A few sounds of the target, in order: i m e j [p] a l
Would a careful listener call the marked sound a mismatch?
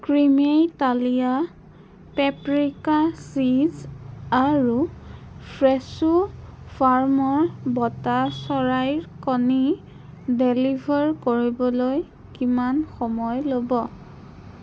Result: yes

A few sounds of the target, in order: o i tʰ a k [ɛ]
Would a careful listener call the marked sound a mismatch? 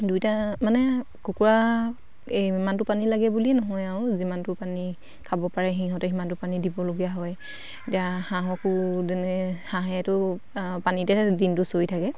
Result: no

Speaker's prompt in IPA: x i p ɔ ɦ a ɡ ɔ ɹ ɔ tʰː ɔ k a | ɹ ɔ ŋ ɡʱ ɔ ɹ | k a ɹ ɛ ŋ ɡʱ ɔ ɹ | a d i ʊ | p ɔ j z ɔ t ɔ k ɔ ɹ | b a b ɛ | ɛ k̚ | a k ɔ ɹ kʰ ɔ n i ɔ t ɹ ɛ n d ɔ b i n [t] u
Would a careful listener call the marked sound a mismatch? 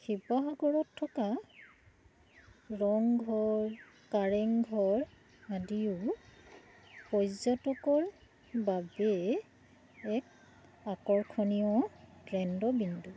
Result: yes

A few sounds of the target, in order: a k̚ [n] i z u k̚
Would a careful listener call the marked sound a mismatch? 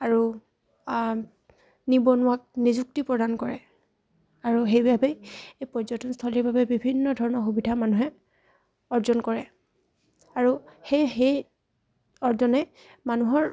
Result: no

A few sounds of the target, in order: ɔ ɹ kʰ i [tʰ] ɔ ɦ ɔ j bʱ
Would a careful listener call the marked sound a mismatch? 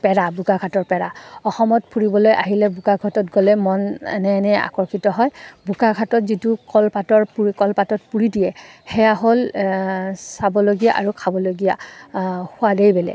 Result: yes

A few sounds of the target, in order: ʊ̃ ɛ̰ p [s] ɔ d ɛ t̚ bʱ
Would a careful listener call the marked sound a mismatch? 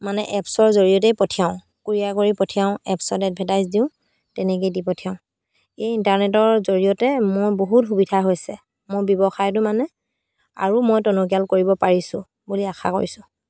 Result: no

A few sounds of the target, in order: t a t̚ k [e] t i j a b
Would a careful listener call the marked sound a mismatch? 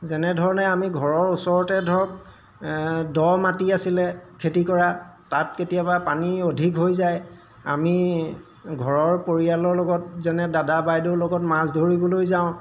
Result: no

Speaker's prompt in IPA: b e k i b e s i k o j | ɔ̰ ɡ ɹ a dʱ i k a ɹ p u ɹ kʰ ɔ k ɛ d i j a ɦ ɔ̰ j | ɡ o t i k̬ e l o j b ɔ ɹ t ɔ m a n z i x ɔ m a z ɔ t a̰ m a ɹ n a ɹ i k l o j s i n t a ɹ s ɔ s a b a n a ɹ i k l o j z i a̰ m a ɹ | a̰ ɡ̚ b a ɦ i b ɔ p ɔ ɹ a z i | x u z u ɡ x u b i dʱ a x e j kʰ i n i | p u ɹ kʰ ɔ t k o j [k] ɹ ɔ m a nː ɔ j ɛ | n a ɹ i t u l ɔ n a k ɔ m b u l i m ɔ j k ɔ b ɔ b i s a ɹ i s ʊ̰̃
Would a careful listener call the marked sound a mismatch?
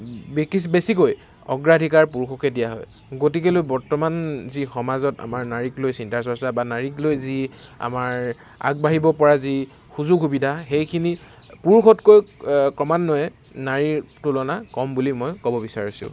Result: no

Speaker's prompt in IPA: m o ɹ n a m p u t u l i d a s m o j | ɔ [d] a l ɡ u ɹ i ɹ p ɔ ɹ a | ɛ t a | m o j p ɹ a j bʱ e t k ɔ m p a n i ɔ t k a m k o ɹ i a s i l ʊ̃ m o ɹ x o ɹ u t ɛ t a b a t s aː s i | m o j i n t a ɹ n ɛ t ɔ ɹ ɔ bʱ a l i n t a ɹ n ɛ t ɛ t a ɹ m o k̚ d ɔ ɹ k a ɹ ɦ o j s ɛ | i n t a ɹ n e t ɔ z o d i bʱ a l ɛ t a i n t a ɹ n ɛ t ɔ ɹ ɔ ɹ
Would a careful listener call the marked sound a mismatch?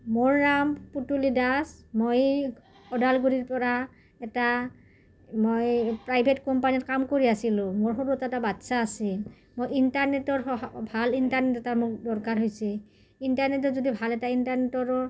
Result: no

